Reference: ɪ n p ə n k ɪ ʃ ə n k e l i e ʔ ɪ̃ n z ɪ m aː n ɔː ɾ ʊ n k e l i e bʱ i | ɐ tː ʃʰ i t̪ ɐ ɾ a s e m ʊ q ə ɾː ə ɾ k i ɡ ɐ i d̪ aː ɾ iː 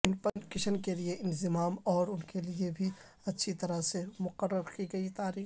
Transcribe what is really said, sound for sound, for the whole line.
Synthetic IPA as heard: ɪ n p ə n k ɪ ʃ ə n k e l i e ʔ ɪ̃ n z ɪ m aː m ɔː ɾ ʊ n k e l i e bʱ i | ɐ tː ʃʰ i t̪ ɐ ɾ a s e m ʊ q ə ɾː ə ɾ k i ɡ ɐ i t̪ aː ɾ iː